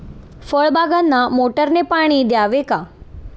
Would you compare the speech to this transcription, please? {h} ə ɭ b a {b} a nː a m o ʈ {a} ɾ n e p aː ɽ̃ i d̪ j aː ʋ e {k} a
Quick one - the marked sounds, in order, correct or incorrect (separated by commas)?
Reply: incorrect, incorrect, incorrect, correct